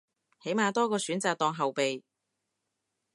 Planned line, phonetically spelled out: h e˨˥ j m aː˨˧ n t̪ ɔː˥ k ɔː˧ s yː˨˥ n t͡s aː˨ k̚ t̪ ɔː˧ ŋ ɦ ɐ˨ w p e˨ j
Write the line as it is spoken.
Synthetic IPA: h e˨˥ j m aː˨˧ t̪ ɔː˥ k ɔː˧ s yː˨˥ n t͡s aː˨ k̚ t̪ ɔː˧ ŋ ɦ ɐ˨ w p e˨ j